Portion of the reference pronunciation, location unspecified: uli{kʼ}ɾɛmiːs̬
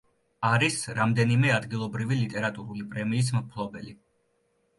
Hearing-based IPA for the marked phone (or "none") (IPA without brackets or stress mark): pʼ